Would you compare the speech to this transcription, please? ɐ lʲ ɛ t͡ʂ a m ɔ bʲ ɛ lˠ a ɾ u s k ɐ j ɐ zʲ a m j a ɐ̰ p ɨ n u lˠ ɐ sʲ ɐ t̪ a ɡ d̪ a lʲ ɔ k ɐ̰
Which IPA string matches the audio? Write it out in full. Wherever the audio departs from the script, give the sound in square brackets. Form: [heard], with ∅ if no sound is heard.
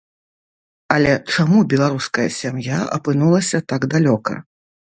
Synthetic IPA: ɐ lʲ ɛ t͡ʂ a m [u] bʲ ɛ lˠ a ɾ u s k ɐ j ɐ [sʲ] a m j a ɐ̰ p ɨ n u lˠ ɐ sʲ ɐ t̪ a ɡ d̪ a lʲ ɔ k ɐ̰

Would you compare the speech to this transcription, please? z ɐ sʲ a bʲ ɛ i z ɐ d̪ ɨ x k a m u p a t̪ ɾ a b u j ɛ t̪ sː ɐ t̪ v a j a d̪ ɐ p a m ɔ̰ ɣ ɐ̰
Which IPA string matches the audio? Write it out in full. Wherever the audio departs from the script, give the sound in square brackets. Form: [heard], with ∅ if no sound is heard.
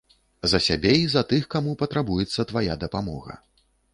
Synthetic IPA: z ɐ sʲ a bʲ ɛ i z ɐ [t̪] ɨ x k a m u p [ɐ] t̪ ɾ a b u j ɛ t̪ sː ɐ t̪ v a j a d̪ ɐ p a m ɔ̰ ɣ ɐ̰

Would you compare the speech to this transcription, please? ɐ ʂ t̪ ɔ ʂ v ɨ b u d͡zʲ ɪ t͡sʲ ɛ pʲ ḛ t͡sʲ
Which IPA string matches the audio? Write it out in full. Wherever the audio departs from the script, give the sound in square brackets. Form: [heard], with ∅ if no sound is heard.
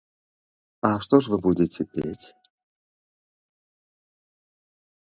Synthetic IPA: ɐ ʂ t̪ ɔ ʂ v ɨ b u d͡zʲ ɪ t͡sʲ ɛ pʲ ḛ t͡sʲ

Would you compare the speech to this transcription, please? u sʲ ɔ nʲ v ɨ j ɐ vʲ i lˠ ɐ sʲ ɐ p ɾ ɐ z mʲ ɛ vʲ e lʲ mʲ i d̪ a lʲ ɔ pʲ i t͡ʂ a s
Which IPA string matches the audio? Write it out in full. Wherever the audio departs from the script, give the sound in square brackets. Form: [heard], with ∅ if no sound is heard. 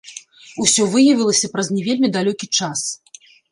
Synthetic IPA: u sʲ ɔ [∅] v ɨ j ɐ vʲ i lˠ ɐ sʲ ɐ p ɾ ɐ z [nʲ] ɛ vʲ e lʲ mʲ i d̪ a lʲ ɔ [kʲ] i t͡ʂ a s

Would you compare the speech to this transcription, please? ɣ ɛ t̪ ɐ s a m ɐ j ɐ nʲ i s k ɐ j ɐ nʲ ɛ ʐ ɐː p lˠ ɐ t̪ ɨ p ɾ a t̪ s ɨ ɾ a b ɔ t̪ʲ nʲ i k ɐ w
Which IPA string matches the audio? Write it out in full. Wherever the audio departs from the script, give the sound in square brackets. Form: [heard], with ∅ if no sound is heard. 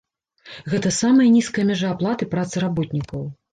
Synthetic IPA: ɣ ɛ t̪ ɐ s a m ɐ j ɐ nʲ i s k ɐ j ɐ [mʲ] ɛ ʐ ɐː p lˠ [a] t̪ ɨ p ɾ a t̪ s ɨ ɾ a b ɔ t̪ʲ nʲ i k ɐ w

